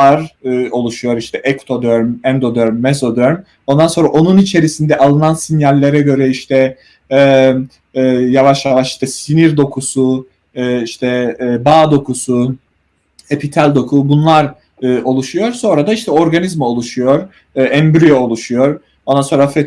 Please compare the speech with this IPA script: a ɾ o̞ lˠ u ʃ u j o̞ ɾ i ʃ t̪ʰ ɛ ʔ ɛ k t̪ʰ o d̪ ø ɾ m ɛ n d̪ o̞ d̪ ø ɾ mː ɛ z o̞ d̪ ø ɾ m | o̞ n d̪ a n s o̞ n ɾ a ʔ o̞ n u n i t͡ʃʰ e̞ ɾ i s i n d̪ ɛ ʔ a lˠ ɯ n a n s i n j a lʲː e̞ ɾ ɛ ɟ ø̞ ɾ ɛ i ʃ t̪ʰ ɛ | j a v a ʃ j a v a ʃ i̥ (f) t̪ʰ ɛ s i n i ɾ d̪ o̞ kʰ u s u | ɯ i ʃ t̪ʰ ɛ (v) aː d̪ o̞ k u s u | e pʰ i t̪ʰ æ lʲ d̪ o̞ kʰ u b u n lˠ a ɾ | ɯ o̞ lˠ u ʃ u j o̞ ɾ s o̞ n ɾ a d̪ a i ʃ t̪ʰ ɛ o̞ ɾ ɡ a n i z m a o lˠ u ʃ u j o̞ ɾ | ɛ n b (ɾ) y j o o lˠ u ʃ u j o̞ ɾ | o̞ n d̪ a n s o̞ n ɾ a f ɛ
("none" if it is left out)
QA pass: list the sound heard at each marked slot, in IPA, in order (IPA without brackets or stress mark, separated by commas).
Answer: ʃ, b, ɾ